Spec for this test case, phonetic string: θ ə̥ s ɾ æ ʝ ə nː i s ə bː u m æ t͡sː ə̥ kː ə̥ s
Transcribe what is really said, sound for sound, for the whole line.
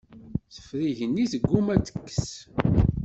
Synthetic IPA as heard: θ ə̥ f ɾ i ʝ ə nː i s ə ɡː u m æ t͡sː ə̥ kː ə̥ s